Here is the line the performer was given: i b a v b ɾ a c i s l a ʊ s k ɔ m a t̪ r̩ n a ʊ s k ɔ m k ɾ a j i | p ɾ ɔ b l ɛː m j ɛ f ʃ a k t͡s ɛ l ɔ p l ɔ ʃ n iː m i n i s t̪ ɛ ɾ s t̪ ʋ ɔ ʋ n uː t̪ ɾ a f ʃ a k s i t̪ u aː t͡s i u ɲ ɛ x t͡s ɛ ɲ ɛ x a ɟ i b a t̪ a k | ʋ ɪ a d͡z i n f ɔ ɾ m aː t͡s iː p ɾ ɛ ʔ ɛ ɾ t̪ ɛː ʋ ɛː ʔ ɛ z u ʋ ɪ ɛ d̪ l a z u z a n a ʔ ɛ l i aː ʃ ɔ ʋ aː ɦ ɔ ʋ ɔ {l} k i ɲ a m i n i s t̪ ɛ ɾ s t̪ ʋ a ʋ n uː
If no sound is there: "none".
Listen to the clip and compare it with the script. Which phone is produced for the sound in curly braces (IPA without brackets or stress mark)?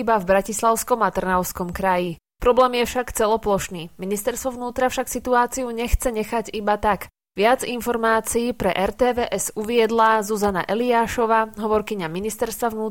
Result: ɾ